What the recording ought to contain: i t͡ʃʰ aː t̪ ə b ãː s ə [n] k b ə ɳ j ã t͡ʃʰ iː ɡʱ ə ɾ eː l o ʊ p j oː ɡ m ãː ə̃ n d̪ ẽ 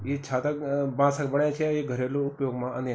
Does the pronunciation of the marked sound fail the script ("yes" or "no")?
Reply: yes